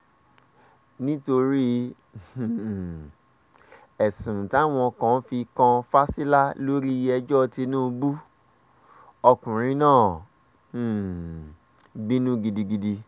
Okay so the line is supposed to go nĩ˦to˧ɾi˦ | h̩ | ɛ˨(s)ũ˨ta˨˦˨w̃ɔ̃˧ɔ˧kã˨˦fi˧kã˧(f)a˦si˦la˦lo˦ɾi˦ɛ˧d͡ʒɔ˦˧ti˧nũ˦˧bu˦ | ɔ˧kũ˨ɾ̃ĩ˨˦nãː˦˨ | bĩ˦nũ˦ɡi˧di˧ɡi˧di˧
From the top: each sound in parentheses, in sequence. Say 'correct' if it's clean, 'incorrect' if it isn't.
correct, correct

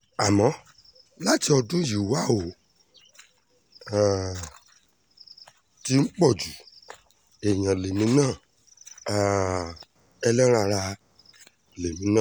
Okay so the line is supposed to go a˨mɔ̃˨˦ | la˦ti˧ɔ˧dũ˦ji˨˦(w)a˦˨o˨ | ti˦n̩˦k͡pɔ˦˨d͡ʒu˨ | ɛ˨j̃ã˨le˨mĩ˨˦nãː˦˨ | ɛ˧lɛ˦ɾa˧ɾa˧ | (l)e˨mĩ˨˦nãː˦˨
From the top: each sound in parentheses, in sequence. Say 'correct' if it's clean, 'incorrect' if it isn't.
correct, correct

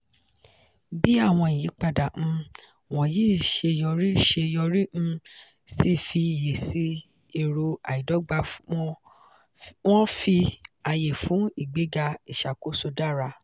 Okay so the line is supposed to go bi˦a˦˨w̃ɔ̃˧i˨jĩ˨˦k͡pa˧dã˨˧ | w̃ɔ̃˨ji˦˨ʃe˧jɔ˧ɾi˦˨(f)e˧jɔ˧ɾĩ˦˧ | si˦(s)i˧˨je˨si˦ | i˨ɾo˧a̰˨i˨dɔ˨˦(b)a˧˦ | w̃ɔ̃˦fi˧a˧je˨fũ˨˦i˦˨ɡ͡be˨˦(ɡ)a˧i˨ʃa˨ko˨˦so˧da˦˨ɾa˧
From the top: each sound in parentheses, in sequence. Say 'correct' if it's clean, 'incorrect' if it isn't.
incorrect: ʃ, incorrect: f, incorrect: ɡ͡b, correct

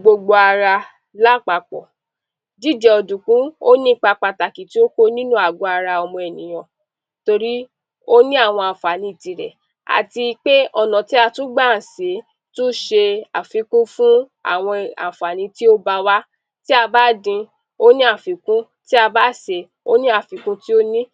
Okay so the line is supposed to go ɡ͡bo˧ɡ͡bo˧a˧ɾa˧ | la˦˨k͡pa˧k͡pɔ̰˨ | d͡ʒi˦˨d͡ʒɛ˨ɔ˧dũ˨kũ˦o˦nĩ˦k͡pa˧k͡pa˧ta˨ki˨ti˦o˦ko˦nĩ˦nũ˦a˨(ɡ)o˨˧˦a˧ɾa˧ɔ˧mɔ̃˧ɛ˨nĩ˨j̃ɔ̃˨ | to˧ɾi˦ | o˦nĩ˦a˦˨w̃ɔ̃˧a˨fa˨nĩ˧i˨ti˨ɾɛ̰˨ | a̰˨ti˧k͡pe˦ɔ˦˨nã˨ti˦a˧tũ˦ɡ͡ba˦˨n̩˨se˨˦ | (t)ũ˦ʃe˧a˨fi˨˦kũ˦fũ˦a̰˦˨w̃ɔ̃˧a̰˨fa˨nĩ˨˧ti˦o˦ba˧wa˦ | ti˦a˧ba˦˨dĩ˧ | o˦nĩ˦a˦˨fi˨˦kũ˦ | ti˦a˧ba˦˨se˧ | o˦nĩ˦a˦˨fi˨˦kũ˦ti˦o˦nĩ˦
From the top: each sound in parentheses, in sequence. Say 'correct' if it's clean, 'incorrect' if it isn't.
correct, correct

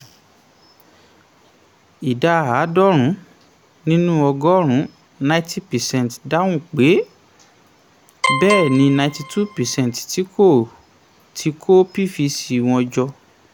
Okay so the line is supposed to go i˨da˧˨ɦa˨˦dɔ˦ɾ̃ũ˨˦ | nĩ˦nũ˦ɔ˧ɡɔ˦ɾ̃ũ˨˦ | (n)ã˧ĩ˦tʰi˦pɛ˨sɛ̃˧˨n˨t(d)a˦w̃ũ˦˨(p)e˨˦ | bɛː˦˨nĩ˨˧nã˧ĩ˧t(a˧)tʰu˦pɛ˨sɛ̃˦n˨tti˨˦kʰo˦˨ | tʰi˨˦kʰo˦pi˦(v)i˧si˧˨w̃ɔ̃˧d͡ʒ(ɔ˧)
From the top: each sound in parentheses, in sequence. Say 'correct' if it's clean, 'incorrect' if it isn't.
correct, correct, incorrect: k͡p, incorrect: i˧, incorrect: f, correct

